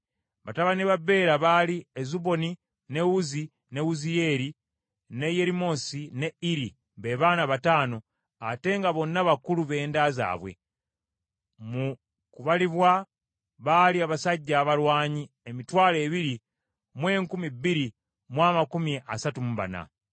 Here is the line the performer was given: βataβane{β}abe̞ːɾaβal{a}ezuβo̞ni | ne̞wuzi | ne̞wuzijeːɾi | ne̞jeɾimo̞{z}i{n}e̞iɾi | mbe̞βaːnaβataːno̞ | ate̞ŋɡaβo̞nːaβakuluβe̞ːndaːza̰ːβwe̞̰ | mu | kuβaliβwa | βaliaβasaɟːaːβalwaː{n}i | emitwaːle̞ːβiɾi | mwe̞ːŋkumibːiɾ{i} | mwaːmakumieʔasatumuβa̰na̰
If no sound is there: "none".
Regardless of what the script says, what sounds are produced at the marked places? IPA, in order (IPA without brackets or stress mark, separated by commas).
β, i, s, n, ɲ, i